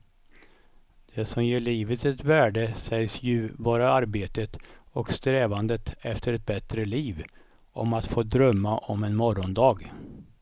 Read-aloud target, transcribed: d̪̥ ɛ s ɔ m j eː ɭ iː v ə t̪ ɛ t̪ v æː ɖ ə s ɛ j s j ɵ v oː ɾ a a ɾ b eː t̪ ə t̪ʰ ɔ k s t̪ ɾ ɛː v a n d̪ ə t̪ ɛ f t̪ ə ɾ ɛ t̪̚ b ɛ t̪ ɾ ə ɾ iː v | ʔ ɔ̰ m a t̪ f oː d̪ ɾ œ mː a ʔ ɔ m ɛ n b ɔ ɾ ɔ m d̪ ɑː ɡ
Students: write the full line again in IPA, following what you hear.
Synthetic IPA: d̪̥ ɛ s ɔ m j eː ɭ iː v ə t̪ ɛ t̪ v æː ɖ ə s ɛ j s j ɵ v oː ɾ a a ɾ b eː t̪ ə t̪ ɔ k s t̪ ɾ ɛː v a n d̪ ə t̪ ɛ f t̪ ə ɾ ɛ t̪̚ b ɛ t̪ ɾ ə l iː v | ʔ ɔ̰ m a t̪ f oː d̪ ɾ œ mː a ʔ ɔ m ɛ n m ɔ ɾ ɔ n d̪ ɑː ɡ